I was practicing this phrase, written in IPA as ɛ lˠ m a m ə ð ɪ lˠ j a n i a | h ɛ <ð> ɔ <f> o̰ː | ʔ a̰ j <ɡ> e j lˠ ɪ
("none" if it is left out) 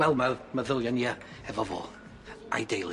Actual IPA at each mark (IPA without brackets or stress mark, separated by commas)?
v, v, d